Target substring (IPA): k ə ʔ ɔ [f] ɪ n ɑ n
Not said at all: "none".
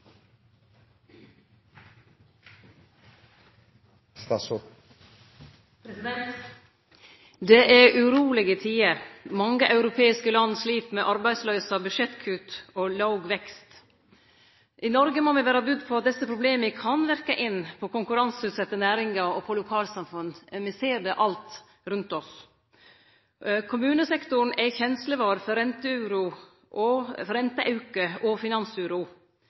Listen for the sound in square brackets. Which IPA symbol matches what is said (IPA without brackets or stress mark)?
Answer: f